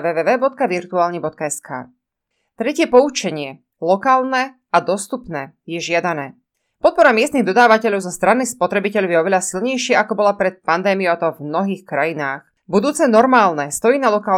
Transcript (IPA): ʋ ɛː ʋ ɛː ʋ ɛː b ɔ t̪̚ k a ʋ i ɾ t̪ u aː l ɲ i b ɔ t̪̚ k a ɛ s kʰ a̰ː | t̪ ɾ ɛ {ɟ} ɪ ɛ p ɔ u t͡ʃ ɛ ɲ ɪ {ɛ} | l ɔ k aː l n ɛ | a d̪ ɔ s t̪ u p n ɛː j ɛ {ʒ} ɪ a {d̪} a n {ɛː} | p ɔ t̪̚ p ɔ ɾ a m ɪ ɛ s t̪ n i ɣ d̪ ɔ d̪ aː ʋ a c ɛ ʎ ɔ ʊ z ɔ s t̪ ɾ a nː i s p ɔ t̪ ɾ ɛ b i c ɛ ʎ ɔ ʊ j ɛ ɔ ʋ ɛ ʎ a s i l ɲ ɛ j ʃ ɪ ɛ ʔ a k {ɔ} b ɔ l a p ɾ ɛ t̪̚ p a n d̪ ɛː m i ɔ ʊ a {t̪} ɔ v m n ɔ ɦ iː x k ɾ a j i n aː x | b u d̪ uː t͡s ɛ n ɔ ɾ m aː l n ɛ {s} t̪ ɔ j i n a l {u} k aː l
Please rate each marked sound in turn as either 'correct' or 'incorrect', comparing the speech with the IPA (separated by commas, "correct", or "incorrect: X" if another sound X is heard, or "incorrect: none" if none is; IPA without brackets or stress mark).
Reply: incorrect: c, correct, correct, correct, correct, correct, correct, correct, incorrect: ɔ